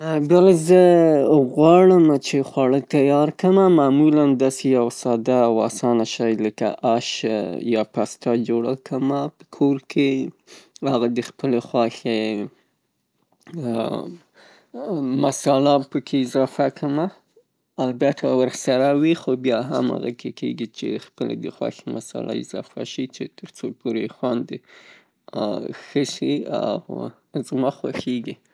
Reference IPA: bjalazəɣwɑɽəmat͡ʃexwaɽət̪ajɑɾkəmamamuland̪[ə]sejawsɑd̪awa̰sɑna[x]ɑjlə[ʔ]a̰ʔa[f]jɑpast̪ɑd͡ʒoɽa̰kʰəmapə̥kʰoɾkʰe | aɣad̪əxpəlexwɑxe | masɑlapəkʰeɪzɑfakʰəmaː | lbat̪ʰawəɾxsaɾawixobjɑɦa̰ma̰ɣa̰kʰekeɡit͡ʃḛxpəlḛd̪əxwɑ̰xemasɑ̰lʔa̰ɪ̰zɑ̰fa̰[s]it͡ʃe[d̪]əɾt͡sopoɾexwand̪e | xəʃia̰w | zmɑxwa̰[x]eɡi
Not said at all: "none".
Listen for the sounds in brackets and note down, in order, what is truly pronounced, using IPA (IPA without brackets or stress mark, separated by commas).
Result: ɑ, ʃ, k, ʃ, ʃ, t̪, x